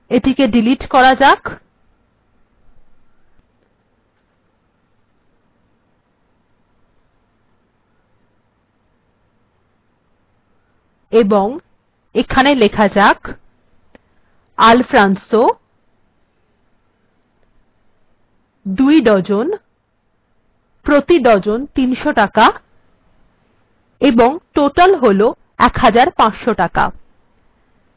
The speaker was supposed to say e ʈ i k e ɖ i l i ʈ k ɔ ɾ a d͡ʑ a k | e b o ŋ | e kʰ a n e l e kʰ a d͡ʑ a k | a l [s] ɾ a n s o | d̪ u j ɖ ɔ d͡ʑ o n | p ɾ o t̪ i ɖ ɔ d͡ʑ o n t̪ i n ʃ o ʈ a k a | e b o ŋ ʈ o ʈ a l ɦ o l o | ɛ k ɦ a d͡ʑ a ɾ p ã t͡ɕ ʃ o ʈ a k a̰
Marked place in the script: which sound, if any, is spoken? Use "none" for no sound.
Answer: f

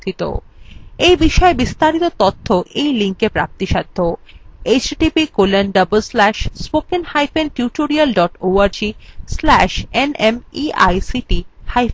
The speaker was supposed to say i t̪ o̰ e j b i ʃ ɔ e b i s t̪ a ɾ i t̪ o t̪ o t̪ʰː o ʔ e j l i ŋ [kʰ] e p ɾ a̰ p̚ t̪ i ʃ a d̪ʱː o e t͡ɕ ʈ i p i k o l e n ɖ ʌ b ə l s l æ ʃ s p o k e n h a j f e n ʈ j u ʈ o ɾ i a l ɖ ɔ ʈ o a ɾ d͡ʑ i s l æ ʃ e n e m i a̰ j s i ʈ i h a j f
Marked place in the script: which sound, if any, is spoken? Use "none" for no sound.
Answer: k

